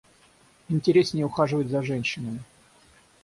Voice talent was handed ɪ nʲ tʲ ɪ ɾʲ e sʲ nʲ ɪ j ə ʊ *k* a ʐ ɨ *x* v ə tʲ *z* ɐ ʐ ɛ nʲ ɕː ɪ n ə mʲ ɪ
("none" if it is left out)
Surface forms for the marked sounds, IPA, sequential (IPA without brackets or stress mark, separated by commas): x, none, z